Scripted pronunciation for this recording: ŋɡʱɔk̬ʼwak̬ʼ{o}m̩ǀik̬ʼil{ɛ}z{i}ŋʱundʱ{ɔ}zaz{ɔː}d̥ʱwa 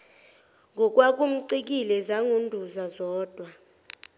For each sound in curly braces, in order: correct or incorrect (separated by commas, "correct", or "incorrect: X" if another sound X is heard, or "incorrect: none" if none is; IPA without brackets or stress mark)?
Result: incorrect: u, correct, incorrect: a, incorrect: u, correct